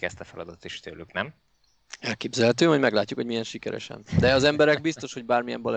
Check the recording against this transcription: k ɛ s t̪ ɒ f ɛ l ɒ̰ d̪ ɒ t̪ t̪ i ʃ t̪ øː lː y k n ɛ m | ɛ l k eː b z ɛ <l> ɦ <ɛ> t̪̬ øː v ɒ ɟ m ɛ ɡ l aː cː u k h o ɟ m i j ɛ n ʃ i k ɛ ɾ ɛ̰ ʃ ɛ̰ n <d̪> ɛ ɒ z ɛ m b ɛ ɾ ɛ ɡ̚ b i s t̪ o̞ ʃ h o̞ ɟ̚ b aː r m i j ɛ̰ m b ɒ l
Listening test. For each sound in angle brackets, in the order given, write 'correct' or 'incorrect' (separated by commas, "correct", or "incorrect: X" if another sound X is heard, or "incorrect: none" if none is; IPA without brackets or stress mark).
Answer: correct, correct, correct